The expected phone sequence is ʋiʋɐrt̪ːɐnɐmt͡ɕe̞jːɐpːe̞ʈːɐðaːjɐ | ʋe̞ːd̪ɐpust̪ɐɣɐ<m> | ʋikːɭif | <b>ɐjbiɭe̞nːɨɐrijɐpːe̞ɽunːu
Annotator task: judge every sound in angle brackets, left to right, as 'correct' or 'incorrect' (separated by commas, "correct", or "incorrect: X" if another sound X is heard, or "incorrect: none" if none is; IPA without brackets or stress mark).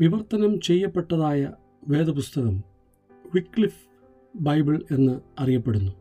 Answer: correct, correct